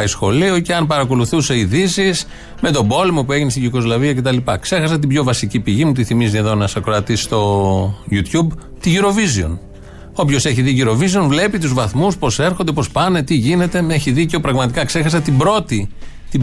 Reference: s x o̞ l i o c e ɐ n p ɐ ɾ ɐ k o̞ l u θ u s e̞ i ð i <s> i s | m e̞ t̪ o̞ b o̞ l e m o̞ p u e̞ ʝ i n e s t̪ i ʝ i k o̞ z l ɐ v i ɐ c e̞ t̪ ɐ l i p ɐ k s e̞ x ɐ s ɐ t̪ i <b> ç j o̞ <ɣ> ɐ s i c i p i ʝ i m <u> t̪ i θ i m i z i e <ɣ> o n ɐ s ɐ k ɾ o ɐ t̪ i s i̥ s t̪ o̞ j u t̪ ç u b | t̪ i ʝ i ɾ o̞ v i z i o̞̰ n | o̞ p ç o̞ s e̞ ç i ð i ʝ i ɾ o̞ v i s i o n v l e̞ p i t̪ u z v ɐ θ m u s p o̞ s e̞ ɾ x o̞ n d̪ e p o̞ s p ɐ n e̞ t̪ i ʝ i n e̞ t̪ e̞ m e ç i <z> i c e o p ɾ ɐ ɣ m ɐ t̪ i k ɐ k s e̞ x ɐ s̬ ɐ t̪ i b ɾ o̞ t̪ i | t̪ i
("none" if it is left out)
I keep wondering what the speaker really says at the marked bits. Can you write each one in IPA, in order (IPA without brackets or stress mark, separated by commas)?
s, b, v, u, ð, ð